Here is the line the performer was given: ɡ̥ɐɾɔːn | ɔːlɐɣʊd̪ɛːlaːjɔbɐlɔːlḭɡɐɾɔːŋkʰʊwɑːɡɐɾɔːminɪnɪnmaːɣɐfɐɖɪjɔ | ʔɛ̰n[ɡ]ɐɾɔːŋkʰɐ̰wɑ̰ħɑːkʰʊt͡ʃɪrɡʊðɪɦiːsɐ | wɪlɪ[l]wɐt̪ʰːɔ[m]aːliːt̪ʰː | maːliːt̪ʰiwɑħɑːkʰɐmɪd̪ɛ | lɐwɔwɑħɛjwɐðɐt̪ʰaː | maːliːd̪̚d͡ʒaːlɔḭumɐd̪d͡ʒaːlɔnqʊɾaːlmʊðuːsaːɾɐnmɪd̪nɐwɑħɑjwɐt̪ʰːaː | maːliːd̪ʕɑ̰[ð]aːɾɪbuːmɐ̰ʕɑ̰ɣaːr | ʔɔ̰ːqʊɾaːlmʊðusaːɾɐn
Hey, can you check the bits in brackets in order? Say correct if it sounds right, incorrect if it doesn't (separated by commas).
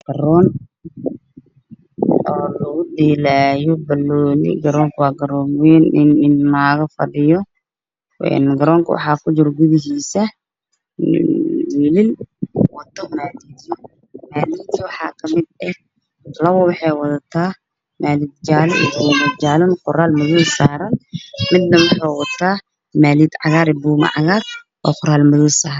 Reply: correct, correct, correct, incorrect